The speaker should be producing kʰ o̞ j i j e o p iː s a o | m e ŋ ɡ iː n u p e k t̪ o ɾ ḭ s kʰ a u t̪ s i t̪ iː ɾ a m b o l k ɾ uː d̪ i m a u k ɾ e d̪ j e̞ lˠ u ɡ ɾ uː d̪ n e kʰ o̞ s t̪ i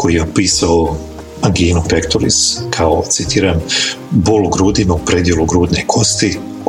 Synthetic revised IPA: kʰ o̞ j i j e o p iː s a o | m a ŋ ɡ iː n u p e k t̪ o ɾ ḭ s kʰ a o t̪ s i t̪ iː ɾ a m b o l ɡ ɾ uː d̪ i m a u p ɾ e d̪ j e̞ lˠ u ɡ ɾ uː d̪ n e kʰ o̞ s t̪ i